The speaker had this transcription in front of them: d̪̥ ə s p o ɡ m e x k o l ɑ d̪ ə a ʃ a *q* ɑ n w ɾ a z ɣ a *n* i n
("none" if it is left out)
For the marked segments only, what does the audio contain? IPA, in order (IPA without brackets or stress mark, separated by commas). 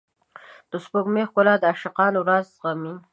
q, m